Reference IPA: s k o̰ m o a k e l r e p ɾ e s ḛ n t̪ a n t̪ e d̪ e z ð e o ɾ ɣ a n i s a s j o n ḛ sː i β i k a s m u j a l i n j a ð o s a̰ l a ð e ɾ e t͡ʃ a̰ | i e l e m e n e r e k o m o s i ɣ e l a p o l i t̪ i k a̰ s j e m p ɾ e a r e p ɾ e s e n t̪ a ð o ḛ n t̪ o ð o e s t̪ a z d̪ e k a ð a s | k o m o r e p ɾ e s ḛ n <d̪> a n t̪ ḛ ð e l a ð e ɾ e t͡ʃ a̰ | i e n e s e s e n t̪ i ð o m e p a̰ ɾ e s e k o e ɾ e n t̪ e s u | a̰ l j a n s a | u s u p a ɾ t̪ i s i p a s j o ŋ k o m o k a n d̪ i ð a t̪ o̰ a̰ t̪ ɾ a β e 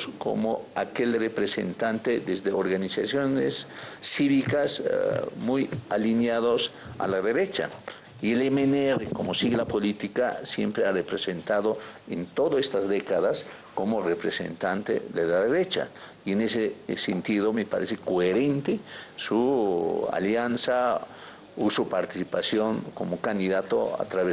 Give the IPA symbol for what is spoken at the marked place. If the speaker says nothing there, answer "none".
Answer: t̪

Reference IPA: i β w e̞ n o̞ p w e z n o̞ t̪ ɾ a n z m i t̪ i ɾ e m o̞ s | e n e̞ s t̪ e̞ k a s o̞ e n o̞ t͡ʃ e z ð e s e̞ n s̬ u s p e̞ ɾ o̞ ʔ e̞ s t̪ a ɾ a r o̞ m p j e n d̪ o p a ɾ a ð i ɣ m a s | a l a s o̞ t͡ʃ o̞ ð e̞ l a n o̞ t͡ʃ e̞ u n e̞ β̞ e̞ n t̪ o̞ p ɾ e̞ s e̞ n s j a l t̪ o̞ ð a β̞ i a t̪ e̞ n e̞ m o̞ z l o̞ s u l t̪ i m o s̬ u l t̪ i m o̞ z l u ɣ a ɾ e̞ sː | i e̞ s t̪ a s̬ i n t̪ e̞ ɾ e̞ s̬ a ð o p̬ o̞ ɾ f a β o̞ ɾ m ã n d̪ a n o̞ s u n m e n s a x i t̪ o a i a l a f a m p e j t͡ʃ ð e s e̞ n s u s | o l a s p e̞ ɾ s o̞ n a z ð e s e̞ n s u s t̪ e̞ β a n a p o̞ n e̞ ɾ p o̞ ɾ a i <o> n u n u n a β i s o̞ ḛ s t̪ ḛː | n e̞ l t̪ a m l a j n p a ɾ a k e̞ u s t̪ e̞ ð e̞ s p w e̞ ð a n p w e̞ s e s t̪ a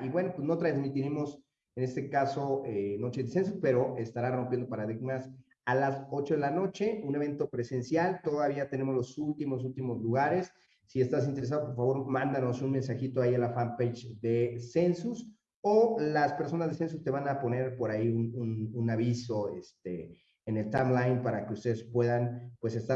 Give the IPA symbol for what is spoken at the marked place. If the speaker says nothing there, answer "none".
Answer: u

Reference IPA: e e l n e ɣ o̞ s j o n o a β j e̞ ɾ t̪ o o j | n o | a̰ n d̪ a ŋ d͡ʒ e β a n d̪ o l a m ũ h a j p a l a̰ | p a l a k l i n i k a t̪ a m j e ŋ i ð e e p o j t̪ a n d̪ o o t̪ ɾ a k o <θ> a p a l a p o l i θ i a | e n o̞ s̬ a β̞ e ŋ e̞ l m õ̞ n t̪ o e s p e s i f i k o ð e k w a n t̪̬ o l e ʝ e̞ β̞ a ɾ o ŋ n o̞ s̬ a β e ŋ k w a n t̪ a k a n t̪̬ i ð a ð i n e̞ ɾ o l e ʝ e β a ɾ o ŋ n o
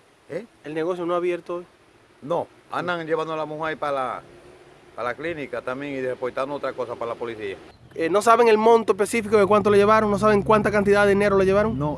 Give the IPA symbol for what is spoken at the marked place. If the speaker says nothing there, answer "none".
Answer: s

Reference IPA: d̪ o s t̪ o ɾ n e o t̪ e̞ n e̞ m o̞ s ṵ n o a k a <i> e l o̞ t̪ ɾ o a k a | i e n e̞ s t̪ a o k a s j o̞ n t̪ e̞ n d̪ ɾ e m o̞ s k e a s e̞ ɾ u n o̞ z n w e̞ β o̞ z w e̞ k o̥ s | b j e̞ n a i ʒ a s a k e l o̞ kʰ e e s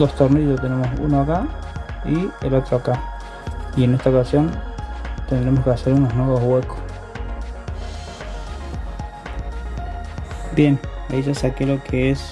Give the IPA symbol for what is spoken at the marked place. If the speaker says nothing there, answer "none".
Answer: i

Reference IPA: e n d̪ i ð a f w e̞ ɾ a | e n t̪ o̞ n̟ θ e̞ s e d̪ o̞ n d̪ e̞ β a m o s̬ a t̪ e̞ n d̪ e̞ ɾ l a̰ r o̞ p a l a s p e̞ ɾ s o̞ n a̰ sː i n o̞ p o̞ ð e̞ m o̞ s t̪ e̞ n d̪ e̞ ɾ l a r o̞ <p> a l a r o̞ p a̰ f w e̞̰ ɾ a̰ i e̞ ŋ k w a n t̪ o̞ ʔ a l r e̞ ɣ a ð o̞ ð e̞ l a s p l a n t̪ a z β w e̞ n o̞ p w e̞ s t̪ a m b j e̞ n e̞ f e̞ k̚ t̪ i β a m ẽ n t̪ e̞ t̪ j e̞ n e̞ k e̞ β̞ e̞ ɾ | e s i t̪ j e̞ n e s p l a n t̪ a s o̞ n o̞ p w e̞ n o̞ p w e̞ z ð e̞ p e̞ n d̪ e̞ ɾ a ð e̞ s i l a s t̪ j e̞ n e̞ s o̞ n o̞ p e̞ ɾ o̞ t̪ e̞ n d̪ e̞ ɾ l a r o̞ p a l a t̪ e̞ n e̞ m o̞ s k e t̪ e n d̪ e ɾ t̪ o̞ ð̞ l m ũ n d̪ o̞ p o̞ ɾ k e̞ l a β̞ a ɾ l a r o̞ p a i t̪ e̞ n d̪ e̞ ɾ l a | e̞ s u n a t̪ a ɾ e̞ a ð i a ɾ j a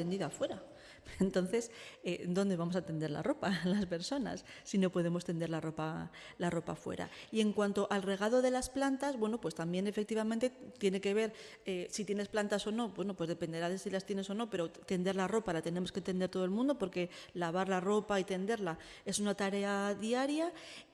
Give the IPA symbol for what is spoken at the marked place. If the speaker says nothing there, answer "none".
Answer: p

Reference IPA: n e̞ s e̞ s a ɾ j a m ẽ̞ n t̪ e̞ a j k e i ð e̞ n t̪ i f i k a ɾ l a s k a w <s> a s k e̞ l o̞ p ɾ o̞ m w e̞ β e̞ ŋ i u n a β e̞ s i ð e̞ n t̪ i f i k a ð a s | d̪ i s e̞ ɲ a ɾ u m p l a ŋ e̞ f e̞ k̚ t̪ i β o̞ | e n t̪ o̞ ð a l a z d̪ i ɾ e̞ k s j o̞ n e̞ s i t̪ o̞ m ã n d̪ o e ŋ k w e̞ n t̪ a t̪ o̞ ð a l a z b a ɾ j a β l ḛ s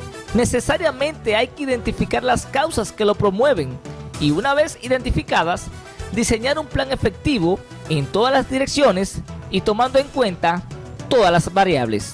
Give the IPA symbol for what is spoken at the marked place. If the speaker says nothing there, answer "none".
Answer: s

